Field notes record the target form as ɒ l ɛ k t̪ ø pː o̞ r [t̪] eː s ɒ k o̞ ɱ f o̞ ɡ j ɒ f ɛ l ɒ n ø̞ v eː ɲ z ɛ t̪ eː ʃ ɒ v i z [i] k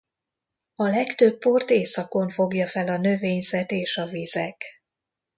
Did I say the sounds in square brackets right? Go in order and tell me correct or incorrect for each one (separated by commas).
correct, incorrect